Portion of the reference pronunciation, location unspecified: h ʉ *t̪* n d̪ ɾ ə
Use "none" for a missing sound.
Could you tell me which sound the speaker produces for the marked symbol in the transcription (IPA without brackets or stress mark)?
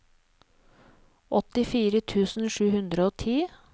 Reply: none